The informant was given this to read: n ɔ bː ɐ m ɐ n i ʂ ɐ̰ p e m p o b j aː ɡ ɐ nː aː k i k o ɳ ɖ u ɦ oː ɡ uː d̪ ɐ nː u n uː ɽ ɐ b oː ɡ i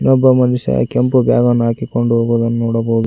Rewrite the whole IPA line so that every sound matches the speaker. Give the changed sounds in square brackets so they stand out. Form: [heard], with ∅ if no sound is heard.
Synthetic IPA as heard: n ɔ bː ɐ m ɐ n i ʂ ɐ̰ [k] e m p [u] b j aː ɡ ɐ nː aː k i k o ɳ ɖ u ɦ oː ɡ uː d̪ ɐ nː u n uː ɽ ɐ b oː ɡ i